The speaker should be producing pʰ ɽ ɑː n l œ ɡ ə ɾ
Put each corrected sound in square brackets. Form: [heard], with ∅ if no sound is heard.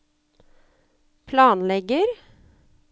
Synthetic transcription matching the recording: pʰ [l] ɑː n l [ɛ] ɡ ə ɾ

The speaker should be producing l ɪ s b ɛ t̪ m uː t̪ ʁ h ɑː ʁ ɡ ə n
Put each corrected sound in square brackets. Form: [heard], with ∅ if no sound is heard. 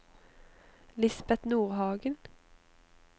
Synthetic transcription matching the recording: l ɪ s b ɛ t̪ [n] uː [∅] ʁ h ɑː [∅] ɡ ə n

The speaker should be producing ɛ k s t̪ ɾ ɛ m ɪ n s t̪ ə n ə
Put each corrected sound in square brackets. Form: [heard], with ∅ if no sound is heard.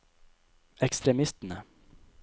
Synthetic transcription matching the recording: ɛ k s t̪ ɾ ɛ m ɪ [∅] s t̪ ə n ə

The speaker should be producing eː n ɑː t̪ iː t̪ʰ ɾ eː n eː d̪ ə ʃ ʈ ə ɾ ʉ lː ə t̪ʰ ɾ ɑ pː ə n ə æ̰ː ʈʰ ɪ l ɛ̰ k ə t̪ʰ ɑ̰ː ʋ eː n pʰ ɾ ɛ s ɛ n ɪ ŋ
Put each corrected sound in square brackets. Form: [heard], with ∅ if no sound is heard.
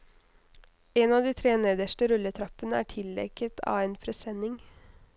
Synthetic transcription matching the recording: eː n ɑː [d̪] iː t̪ʰ ɾ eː n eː d̪ ə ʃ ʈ ə ɾ ʉ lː ə t̪ʰ ɾ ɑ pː ə n ə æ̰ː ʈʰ ɪ l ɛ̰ k ə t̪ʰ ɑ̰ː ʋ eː n pʰ ɾ ɛ s ɛ n ɪ ŋ

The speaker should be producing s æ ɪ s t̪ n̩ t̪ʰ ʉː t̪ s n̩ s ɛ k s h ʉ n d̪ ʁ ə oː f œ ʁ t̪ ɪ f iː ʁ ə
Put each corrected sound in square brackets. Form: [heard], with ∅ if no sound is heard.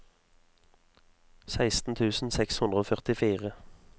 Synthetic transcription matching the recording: s æ ɪ s t̪ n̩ t̪ʰ ʉː [∅] s n̩ s ɛ k s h ʉ n d̪ ʁ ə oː f œ ʁ t̪ ɪ f iː ʁ ə

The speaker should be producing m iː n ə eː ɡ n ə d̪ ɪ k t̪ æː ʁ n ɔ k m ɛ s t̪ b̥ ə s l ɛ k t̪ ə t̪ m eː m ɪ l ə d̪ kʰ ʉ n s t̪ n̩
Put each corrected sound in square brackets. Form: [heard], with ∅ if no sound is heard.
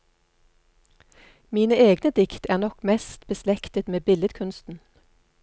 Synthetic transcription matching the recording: m iː n ə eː ɡ n ə d̪ ɪ k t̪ æː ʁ n ɔ k m ɛ s t̪ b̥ ə s l ɛ k t̪ ə t̪ m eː [b] ɪ l ə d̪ kʰ ʉ n s t̪ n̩

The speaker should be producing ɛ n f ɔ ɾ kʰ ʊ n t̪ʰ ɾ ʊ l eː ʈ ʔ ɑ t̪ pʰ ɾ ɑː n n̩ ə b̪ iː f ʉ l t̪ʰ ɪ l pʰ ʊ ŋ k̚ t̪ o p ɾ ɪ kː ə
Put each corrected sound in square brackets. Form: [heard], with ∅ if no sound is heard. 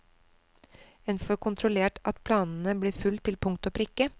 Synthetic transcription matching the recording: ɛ n f ɔ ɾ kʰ ʊ n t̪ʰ ɾ ʊ l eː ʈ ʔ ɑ t̪ pʰ [l] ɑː n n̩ ə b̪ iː f ʉ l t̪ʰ ɪ l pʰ ʊ ŋ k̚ t̪ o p ɾ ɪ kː ə

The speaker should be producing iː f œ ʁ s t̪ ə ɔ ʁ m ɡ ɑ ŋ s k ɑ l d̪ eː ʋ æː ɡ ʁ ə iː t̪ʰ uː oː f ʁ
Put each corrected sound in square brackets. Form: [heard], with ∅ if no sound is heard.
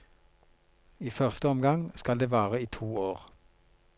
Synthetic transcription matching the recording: iː f œ ʁ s t̪ ə ɔ [∅] m ɡ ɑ ŋ s k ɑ l d̪ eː ʋ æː [∅] ʁ ə iː t̪ʰ uː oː [∅] ʁ

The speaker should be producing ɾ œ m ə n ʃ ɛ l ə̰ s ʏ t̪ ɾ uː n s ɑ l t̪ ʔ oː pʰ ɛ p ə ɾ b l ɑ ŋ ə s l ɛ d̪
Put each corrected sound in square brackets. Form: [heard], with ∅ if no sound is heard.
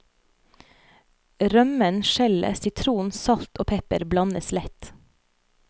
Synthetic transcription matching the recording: ɾ œ m ə n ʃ ɛ l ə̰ s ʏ [t̪ʰ] ɾ uː n s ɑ l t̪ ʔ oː pʰ ɛ p ə ɾ b l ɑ [n] ə s l ɛ [t̪]

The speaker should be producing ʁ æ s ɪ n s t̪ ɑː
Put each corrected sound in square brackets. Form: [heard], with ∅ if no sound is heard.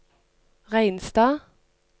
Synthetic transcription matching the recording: ʁ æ [∅] ɪ n s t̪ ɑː

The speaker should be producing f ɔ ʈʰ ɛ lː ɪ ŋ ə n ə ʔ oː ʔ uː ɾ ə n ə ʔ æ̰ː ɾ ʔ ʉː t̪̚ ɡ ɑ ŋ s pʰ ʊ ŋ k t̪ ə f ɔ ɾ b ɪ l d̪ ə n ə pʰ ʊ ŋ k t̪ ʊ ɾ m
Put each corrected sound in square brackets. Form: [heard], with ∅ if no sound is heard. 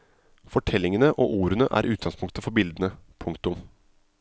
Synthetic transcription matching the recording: f ɔ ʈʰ ɛ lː ɪ ŋ ə n ə ʔ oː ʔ uː ɾ ə n ə ʔ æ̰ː ɾ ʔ ʉː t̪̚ ɡ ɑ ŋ s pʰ ʊ ŋ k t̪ ə f ɔ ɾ b ɪ l d̪ ə n ə pʰ ʊ ŋ k t̪ ʊ [∅] m

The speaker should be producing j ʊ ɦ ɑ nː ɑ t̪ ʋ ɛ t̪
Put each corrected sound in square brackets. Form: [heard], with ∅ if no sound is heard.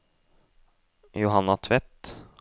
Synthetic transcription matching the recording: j ʊ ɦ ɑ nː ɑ [t̪ʰ] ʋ ɛ t̪

